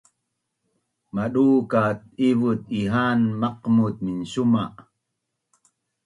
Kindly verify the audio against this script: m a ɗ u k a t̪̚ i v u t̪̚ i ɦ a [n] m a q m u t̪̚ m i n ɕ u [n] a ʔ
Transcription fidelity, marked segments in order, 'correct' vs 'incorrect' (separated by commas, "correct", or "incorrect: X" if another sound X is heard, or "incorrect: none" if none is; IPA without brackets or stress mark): correct, incorrect: m